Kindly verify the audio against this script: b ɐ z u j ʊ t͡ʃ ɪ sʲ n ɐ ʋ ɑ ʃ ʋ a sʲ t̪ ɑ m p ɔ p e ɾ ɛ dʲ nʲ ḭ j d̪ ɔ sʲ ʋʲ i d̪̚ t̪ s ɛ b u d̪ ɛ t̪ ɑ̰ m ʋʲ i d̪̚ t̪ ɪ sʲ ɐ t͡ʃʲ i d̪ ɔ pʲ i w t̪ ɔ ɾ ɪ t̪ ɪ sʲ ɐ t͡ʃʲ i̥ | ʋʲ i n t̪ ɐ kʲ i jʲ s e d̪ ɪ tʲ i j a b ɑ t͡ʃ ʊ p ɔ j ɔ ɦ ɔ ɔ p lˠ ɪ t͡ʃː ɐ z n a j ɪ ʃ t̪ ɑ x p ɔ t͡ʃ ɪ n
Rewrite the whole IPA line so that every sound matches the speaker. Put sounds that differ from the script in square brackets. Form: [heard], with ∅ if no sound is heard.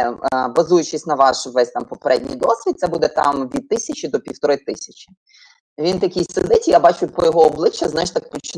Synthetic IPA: b ɐ z u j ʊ t͡ʃ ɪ sʲ n ɐ ʋ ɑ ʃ ʋ [ɛ] sʲ t̪ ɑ m p ɔ p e ɾ ɛ dʲ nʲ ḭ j d̪ ɔ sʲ ʋʲ i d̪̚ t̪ s ɛ b u d̪ ɛ t̪ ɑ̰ m ʋʲ i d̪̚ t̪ ɪ sʲ ɐ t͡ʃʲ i d̪ ɔ pʲ i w t̪ ɔ ɾ ɪ t̪ ɪ sʲ ɐ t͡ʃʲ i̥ | ʋʲ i n t̪ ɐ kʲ i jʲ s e d̪ ɪ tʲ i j a b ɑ t͡ʃ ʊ p ɔ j ɔ ɦ ɔ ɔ [b] lˠ ɪ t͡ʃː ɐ z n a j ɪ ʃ t̪ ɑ [k] p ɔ t͡ʃ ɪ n